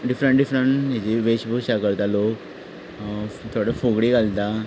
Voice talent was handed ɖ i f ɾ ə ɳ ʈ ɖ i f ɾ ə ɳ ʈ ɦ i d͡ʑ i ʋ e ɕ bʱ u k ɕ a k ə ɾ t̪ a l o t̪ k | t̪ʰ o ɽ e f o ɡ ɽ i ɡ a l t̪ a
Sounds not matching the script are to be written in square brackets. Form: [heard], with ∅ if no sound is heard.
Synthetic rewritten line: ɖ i f ɾ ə ɳ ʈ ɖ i f ɾ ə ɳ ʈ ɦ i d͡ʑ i ʋ e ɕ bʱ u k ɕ a k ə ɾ t̪ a l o [∅] k | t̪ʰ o ɽ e f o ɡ ɽ i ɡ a l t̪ a